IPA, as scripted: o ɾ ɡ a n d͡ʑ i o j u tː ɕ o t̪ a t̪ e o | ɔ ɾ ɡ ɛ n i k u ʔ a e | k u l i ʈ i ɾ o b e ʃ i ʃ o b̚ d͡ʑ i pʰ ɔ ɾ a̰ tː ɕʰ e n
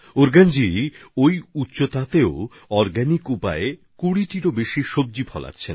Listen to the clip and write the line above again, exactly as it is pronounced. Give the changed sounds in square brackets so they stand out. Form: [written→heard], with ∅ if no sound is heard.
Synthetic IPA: o ɾ ɡ a n d͡ʑ i o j u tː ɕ o t̪ a t̪ e o | ɔ ɾ ɡ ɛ n i k u [ʔ→p] a e | k u [l→ɽ] i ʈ i ɾ o b e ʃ i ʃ o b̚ d͡ʑ i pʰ ɔ [ɾ→l] a̰ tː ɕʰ e n